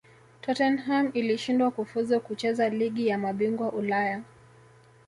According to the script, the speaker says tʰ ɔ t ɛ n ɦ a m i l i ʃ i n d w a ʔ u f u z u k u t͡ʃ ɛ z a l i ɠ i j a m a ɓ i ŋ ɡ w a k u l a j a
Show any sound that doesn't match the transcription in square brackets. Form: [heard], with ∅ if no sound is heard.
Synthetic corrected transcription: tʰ ɔ t ɛ n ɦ a m i l i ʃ i n d w a [k] u f u z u k u t͡ʃ ɛ z a l i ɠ i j a m a ɓ i ŋ ɡ w a [ʔ] u l a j a

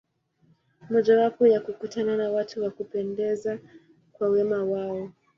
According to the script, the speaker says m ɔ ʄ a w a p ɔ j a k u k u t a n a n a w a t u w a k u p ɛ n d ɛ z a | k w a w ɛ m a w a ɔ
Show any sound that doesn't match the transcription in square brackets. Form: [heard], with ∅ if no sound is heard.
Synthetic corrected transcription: m ɔ ʄ a w a p ɔ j a k u k u t a n a n a w a t u w a k u p ɛ n d ɛ z a | k w a w ɛ m a w a ɔ

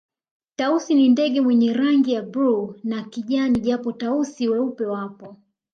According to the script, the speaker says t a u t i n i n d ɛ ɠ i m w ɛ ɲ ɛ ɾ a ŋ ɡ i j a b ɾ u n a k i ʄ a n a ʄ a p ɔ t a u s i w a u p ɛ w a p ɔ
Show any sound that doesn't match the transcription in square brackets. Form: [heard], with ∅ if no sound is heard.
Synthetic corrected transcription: t a u [s] i n i n d ɛ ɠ [ɛ] m w ɛ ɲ ɛ ɾ a ŋ ɡ i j a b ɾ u n a k i ʄ a n [i] ʄ a p ɔ t a u s i w [ɛ] u p ɛ w a p ɔ

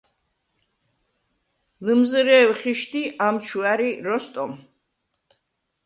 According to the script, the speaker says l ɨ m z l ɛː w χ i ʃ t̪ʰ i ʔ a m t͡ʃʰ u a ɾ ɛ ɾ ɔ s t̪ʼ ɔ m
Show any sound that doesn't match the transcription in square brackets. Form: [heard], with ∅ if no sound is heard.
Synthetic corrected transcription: l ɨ m z [ɾ] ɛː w χ i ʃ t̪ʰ i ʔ a m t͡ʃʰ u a ɾ [i] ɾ ɔ s t̪ʼ ɔ m

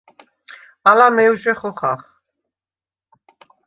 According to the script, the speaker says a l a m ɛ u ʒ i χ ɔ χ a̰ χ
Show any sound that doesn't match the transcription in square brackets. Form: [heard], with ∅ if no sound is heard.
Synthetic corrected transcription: a l a m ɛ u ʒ [ɛ] χ ɔ χ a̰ χ

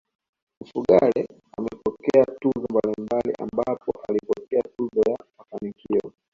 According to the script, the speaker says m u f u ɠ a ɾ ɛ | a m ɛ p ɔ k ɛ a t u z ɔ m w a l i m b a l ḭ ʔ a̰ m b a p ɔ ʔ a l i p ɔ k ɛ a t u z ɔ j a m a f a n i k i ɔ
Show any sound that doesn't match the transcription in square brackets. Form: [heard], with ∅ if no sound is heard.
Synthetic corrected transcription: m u f u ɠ a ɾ ɛ | a m ɛ p ɔ k ɛ a t u z ɔ m [b] a l i m b a l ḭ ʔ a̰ m b a p ɔ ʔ a l i p ɔ k ɛ a t u z ɔ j a m a f a n i k i ɔ

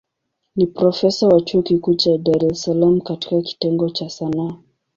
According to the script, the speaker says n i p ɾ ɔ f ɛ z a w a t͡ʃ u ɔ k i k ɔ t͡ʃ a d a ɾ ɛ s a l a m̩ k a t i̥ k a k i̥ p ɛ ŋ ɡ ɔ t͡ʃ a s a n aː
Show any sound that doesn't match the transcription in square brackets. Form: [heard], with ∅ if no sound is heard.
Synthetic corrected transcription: n i p ɾ ɔ f ɛ [s] a w a t͡ʃ u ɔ k i k [u] t͡ʃ a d a ɾ ɛ s a l a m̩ k a t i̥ k a k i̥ [t] ɛ ŋ ɡ ɔ t͡ʃ a s a n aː

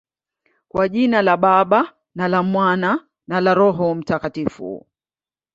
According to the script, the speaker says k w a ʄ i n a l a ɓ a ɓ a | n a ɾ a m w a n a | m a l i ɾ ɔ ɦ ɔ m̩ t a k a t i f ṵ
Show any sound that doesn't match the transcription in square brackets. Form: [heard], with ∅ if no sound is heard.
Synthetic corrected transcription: k w a ʄ i n a l a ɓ a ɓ a | n a [l] a m w a n a | [n] a l [a] ɾ ɔ ɦ ɔ m̩ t a k a t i f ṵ

